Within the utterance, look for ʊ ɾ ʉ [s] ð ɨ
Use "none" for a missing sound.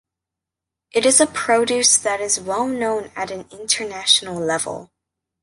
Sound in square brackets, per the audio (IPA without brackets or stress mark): s